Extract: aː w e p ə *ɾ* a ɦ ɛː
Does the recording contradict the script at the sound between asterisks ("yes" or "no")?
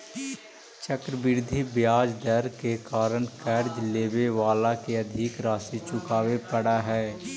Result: yes